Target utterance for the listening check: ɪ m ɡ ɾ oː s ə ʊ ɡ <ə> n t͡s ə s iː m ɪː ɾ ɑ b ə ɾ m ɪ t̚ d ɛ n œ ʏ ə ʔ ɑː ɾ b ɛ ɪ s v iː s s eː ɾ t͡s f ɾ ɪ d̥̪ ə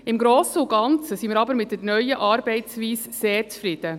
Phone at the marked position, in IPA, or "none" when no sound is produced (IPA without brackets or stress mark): ɑ